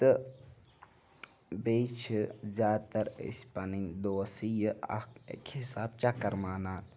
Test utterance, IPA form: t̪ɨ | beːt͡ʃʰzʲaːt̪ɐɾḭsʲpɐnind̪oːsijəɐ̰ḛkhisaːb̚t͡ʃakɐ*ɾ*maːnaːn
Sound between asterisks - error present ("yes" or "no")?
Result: no